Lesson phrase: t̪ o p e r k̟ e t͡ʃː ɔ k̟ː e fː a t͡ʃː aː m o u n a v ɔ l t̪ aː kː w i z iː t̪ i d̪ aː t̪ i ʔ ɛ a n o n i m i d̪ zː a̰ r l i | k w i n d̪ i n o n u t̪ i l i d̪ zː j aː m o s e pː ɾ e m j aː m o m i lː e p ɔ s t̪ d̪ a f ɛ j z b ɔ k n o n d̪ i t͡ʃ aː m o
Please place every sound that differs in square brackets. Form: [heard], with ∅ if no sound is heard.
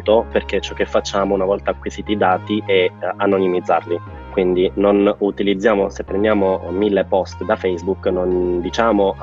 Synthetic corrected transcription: t̪ o p e r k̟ e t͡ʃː ɔ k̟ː e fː a t͡ʃː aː m o u n a v ɔ l t̪ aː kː w i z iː t̪ i d̪ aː t̪ i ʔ ɛ a n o n i m i d̪ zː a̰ r l i | k w i n d̪ i n o n u t̪ i l i d̪ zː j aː m o s e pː ɾ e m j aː m o m i lː e p ɔ s t̪ d̪ a f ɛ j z b [u] k n o n d̪ i t͡ʃ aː m o